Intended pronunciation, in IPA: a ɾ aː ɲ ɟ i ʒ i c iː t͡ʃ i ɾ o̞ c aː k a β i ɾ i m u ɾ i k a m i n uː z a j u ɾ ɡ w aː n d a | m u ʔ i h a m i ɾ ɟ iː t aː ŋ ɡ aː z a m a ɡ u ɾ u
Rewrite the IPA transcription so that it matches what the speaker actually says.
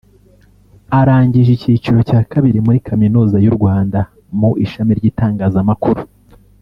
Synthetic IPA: a ɾ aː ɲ ɟ i ʒ i c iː t͡ʃ i ɾ o̞ c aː k a β i ɾ i m u ɾ i k a m i n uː z a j u ɾ ɡ w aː n d a | m u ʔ i ʃ a m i ɾ ɟ iː t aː ŋ ɡ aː z a m a k u ɾ u